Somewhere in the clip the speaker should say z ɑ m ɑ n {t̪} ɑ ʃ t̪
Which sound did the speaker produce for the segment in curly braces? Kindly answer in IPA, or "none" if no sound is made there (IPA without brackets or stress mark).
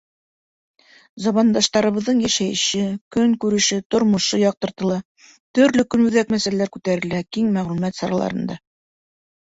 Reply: d̪